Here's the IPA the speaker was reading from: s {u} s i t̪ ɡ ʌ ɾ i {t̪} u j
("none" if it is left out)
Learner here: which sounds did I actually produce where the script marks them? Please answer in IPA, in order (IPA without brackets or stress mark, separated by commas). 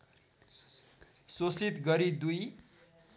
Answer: o, d̪